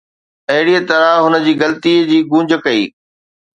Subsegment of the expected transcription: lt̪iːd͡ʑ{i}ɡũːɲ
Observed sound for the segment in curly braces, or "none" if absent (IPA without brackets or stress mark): iː